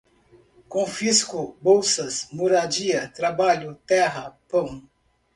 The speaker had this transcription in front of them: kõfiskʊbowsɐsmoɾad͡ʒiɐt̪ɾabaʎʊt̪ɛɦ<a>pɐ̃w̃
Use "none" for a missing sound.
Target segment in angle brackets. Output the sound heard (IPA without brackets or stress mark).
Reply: ɐ